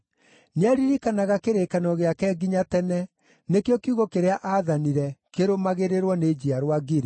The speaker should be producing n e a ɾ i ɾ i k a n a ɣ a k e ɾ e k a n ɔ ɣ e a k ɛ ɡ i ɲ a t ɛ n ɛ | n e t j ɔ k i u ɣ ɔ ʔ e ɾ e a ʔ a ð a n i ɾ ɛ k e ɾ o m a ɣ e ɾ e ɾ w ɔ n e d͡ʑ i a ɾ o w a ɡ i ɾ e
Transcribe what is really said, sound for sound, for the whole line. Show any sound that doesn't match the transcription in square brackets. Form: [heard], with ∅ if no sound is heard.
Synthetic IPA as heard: n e a ɾ i ɾ i k a n a ɣ a k e ɾ e k a n ɔ ɣ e a k ɛ ɡ i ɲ a t ɛ n ɛ | n e [k] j ɔ k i u ɣ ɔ [k] e ɾ e a ʔ a ð a n i ɾ ɛ k e ɾ o m a ɣ e ɾ e ɾ w ɔ n e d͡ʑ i a ɾ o w a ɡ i ɾ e